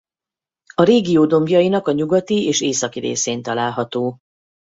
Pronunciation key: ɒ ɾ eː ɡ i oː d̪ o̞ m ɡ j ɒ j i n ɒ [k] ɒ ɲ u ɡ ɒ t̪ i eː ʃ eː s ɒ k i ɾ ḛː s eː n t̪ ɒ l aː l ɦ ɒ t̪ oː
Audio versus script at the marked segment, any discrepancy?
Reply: no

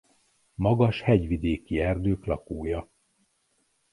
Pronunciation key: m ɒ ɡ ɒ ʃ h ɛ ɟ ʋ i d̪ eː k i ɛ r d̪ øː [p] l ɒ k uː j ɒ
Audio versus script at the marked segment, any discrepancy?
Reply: yes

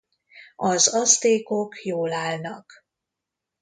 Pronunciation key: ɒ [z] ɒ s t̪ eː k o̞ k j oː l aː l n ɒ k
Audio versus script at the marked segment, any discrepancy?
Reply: no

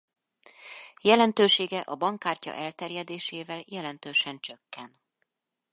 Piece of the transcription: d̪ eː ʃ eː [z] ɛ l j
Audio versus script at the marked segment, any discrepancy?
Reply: yes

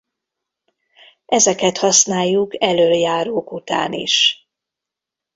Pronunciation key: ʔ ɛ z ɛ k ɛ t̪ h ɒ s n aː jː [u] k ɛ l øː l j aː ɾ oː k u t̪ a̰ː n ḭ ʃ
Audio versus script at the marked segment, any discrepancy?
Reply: no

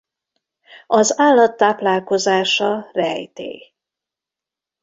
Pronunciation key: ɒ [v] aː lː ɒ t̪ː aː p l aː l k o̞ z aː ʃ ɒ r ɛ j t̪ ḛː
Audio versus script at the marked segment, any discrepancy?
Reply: yes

